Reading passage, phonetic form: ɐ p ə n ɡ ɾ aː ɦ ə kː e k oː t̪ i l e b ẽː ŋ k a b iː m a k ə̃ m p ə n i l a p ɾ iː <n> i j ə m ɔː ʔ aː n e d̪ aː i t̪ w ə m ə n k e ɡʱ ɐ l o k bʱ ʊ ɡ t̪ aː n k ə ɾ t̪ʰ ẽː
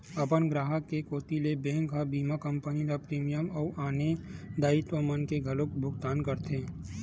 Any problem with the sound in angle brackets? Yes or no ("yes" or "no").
yes